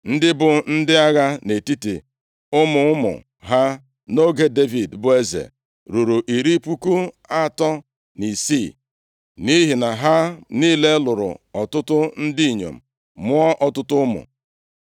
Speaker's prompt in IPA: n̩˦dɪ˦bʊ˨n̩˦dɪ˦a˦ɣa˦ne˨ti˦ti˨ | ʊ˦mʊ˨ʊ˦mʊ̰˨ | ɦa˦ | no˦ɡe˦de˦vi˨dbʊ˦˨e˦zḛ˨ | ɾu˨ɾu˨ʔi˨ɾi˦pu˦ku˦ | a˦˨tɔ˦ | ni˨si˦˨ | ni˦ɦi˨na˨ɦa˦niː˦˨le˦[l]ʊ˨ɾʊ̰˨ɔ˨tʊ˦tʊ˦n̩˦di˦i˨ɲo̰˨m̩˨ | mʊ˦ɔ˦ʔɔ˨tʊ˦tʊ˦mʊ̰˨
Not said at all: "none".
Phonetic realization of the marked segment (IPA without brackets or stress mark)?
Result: l